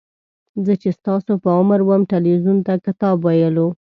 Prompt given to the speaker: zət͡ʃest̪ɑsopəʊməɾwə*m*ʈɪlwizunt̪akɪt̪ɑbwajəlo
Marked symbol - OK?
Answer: yes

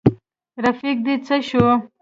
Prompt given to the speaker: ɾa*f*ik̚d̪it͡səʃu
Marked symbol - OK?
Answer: yes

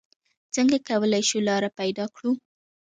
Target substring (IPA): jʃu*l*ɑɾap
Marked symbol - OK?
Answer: yes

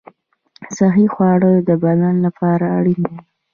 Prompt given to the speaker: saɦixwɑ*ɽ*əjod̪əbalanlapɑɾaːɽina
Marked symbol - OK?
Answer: yes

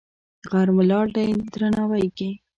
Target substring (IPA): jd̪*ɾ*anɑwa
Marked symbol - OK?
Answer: yes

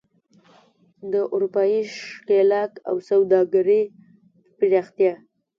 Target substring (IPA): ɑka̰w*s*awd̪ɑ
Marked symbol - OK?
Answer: yes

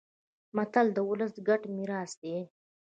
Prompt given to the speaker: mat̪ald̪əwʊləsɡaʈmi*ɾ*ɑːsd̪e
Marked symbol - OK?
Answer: yes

